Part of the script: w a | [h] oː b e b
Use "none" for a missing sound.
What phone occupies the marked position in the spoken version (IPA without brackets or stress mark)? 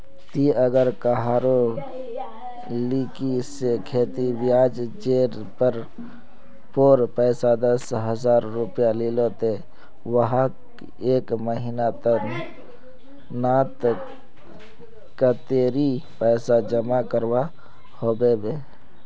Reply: h